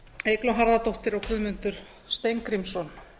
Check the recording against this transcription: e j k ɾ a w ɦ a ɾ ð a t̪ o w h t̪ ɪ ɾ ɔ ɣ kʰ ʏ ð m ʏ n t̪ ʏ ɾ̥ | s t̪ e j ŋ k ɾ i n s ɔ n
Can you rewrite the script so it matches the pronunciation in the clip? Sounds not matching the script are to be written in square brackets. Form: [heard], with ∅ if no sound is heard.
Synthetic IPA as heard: e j k [l] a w ɦ a ɾ ð a t̪ o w h t̪ ɪ ɾ ɔ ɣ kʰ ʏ ð m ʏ n t̪ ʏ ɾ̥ | s t̪ e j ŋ k ɾ i [m] s ɔ n